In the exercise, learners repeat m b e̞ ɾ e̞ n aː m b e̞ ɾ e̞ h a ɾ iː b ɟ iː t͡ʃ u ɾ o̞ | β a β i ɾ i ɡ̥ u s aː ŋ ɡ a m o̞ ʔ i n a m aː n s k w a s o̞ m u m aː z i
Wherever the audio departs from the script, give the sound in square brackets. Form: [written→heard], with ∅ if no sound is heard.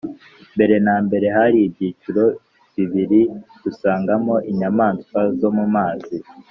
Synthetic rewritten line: m b e̞ ɾ e̞ n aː m b e̞ ɾ e̞ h a ɾ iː b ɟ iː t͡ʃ u ɾ o̞ | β [a→i] β i ɾ i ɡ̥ u s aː ŋ ɡ a m o̞ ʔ i [n→ɲ] a m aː n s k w a [s→z] o̞ m u m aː z i